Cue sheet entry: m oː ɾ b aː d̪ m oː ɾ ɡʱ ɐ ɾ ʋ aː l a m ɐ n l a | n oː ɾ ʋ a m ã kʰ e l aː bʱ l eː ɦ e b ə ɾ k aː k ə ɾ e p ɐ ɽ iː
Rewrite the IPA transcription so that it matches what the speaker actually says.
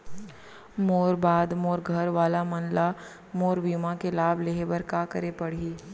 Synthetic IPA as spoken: m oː ɾ b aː d̪ m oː ɾ ɡʱ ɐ ɾ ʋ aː l a m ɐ n l a | m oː ɾ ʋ i m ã k e l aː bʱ l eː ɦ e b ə ɾ k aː k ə ɾ e p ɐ ɽ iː